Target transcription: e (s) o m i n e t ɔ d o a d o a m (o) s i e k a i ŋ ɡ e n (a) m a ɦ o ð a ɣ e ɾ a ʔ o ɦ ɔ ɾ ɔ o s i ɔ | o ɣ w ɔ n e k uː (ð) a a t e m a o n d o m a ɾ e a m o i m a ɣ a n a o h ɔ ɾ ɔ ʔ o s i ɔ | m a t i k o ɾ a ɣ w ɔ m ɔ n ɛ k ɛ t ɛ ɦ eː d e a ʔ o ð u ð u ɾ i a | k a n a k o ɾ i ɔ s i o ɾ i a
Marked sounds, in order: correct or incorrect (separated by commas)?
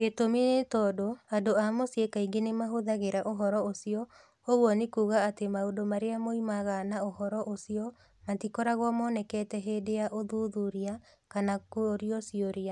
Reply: incorrect, correct, incorrect, incorrect